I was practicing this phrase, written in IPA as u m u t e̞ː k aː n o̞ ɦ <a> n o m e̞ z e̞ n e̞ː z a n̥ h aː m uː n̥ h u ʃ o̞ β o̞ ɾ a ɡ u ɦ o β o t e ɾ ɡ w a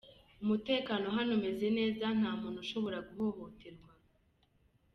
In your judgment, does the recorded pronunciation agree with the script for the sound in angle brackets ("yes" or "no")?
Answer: yes